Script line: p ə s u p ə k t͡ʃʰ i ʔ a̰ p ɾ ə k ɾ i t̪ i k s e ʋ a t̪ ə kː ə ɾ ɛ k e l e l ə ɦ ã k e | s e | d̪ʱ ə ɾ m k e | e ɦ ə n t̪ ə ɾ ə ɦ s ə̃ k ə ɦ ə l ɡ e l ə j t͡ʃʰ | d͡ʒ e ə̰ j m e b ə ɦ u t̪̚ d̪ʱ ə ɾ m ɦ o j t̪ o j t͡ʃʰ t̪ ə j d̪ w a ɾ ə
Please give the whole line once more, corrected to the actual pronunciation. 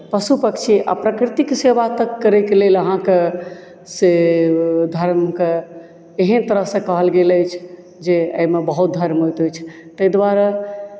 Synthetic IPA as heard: p ə s u p ə k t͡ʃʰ i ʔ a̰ p ɾ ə k ɾ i t̪ i k s e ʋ a t̪ ə kː ə ɾ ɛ k e l e l ə ɦ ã k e | s e | d̪ʱ ə ɾ m k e | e ɦ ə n t̪ ə ɾ ə ɦ s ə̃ k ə ɦ ə l ɡ e l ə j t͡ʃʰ | d͡ʒ e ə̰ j m e b ə ɦ u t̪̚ d̪ʱ ə ɾ m ɦ o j t̪ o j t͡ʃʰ t̪ ə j d̪ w a ɾ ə